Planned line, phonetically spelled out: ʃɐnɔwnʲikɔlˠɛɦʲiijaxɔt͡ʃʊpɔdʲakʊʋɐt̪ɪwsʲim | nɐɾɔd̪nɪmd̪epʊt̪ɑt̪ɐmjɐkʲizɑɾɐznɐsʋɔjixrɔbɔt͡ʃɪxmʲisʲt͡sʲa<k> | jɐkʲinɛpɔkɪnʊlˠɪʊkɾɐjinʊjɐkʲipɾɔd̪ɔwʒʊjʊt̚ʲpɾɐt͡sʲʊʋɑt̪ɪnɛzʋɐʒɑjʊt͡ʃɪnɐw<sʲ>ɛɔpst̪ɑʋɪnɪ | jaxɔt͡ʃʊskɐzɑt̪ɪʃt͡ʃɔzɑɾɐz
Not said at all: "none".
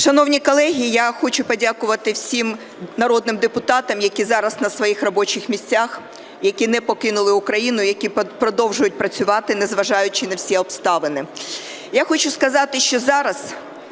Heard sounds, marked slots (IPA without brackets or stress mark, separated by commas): x, sʲ